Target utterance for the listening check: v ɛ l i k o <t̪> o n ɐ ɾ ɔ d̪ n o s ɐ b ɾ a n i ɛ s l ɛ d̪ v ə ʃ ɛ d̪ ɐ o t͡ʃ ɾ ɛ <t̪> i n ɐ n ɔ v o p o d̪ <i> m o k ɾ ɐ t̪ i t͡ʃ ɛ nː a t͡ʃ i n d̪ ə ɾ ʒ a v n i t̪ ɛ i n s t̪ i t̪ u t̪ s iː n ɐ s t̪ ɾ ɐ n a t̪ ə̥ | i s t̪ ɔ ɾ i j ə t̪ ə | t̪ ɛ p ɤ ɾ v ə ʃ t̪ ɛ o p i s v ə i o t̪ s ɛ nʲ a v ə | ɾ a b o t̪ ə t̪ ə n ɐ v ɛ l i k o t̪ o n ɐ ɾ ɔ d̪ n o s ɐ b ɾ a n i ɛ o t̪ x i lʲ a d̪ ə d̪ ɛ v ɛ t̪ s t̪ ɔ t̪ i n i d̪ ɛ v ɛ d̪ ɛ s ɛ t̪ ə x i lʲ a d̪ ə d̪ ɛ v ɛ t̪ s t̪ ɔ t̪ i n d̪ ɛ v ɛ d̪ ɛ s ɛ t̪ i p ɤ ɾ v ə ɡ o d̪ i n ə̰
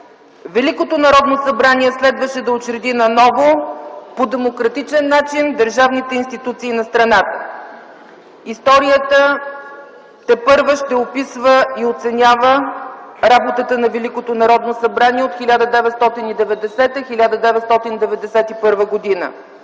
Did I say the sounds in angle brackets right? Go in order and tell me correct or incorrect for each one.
correct, incorrect, incorrect

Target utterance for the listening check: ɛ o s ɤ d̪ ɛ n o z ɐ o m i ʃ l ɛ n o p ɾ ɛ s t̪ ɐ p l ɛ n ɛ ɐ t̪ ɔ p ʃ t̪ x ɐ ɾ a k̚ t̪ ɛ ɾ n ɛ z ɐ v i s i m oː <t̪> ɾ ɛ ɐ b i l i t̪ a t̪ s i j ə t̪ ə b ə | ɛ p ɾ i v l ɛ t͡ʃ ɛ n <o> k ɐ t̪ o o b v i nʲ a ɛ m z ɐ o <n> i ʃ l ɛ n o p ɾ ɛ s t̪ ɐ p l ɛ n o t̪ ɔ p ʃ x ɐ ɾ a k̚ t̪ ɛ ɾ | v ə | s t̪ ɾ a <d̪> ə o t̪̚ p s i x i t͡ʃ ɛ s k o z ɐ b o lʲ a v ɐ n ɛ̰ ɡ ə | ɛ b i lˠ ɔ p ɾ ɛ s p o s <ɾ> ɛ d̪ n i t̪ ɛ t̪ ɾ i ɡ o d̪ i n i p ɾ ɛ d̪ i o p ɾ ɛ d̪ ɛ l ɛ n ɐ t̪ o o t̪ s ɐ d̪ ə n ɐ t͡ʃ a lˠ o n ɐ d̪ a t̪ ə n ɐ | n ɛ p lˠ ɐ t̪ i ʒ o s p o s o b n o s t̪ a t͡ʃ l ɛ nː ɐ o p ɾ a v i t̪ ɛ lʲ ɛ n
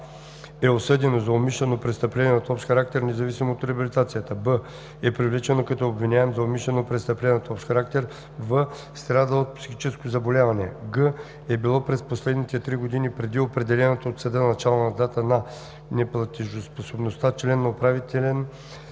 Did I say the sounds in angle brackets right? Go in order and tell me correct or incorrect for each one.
correct, correct, incorrect, correct, incorrect

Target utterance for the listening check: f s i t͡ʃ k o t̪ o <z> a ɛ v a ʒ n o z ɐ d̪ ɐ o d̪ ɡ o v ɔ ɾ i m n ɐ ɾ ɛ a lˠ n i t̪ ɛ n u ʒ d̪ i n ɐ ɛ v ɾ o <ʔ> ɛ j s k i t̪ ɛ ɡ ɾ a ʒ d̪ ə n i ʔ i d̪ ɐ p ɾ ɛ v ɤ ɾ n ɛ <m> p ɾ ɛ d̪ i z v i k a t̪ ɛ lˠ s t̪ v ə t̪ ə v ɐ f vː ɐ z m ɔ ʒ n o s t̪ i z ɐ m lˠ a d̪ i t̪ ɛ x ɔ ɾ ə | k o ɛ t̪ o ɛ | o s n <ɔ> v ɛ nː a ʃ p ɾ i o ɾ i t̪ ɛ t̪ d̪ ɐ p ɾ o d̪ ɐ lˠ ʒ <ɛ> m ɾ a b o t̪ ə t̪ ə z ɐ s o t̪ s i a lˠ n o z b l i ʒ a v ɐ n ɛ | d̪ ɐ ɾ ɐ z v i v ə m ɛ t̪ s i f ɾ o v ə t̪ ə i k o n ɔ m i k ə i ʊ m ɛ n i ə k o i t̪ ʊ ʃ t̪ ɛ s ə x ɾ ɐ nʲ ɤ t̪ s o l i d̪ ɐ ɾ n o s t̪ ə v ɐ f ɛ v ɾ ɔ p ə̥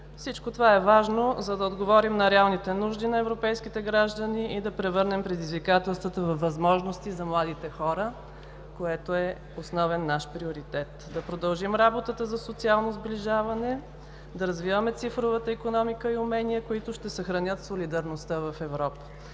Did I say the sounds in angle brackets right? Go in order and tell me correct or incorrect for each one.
incorrect, incorrect, correct, correct, incorrect

